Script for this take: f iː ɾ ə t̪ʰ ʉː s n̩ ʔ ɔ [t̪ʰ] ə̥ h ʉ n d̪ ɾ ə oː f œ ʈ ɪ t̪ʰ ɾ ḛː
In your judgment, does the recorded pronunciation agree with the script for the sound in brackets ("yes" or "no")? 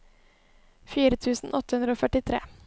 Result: no